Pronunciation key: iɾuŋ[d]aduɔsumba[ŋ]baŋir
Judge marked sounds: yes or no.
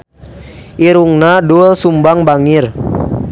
no, yes

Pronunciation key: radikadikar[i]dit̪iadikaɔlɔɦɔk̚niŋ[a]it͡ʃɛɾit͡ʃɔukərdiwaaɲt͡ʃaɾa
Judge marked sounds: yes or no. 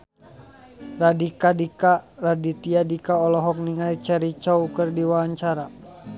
no, yes

